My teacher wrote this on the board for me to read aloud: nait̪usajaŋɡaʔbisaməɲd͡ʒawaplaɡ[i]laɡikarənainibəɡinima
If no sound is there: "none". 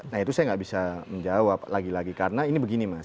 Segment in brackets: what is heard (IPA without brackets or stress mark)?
i